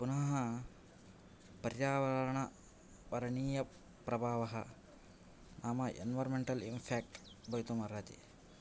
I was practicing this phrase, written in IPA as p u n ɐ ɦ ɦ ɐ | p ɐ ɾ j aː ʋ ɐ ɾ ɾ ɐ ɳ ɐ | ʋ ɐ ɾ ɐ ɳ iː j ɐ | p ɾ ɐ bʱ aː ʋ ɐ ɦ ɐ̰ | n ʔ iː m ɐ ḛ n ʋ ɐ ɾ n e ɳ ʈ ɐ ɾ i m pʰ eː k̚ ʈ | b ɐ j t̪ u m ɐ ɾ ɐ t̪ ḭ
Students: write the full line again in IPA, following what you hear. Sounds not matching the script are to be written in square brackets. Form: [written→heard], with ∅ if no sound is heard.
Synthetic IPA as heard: p u n ɐ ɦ ɦ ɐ | p ɐ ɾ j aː ʋ ɐ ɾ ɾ ɐ ɳ ɐ | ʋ ɐ ɾ ɐ ɳ iː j ɐ | p ɾ ɐ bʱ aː ʋ ɐ ɦ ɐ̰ | n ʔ [iː→aː] m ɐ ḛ n ʋ ɐ ɾ [n→m] e ɳ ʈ ɐ [ɾ→l] i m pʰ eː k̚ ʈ | b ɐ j t̪ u m ɐ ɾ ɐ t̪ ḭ